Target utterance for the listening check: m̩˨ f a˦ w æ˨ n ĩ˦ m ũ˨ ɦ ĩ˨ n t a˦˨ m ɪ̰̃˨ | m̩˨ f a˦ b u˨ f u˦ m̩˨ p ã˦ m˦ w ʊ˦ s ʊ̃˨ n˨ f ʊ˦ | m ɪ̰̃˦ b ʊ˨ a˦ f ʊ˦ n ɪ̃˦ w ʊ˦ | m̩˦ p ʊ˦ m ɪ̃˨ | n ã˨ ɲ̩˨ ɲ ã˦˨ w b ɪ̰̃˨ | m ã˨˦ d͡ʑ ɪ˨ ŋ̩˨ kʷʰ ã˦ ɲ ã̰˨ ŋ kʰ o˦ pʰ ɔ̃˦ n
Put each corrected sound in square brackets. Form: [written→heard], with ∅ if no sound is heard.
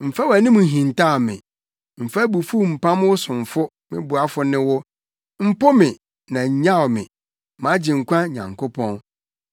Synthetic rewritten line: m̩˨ f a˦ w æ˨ n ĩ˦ m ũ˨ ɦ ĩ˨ n t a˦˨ m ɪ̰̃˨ | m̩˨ f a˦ b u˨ f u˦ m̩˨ p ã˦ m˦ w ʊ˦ s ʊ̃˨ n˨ f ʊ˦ | m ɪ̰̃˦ b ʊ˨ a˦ f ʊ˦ n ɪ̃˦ w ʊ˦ | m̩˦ p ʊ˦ m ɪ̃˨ | n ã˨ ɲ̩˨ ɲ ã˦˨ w [b→m] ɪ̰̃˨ | m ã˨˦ d͡ʑ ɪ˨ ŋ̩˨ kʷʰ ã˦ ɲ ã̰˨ ŋ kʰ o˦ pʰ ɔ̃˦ n